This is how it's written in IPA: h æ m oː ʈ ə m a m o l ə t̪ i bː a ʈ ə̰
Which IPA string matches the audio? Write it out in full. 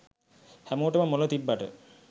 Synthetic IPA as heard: h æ m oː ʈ ə m ə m o l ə t̪ i bː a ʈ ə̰